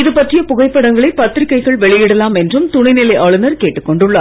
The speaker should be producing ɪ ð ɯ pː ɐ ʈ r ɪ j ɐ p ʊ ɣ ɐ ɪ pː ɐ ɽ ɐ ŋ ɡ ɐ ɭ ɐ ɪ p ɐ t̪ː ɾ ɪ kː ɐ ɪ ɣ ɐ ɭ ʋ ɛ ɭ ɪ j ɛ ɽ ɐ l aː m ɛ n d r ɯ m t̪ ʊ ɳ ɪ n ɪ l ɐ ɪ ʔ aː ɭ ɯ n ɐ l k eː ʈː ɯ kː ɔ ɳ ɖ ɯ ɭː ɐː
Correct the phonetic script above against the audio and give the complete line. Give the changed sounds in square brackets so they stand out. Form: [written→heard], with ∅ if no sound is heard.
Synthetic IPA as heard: ɪ ð ɯ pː ɐ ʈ r ɪ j ɐ p ʊ ɣ ɐ ɪ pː ɐ ɽ ɐ ŋ ɡ ɐ ɭ ɐ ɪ p ɐ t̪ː ɾ ɪ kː ɐ ɪ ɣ ɐ ɭ ʋ ɛ ɭ ɪ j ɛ ɽ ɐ l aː m ɛ n d r ɯ m t̪ ʊ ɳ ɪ n ɪ l ɐ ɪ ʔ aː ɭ ɯ n ɐ [l→ɾ] k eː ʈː ɯ kː ɔ ɳ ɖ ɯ ɭː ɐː